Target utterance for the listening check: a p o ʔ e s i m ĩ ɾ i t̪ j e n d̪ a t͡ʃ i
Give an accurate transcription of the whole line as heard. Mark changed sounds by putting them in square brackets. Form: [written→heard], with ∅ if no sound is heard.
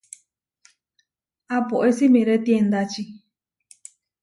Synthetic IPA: a p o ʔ e s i m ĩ ɾ [i→e] t̪ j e n d̪ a t͡ʃ i

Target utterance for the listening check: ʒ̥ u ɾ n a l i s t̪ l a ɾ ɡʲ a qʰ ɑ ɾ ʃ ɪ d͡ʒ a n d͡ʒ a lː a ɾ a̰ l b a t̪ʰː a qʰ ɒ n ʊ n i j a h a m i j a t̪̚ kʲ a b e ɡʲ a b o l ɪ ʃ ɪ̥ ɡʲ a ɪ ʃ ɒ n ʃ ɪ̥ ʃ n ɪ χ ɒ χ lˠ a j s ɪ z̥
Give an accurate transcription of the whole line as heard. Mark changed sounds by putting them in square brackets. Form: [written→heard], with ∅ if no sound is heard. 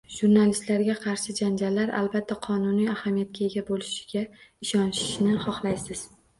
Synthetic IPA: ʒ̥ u ɾ n a l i s t̪ l a ɾ ɡʲ a qʰ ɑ ɾ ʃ ɪ d͡ʒ a n d͡ʒ a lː a ɾ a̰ l b a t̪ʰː a qʰ ɒ n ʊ n i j a h a m i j a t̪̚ kʲ a [b→∅] e ɡʲ a b o l ɪ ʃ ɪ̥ ɡʲ a ɪ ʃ ɒ n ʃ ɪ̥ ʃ n ɪ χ ɒ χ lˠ a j s ɪ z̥

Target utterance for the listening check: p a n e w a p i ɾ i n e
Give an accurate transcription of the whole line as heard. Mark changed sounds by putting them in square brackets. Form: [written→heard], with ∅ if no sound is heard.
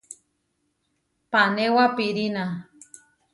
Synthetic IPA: p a n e w a p i ɾ i n [e→a]

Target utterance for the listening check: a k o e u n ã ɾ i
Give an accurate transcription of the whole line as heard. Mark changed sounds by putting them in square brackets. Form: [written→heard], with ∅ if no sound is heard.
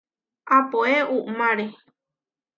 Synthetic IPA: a [k→p] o e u [n→m] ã ɾ [i→e]

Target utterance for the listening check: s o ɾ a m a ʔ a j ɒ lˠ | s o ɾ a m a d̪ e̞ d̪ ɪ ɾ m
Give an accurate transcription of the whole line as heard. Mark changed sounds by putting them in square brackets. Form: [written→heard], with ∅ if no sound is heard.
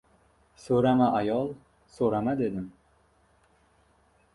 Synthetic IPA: s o ɾ a m a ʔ a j ɒ lˠ | s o ɾ a m a d̪ e̞ d̪ ɪ [ɾ→∅] m

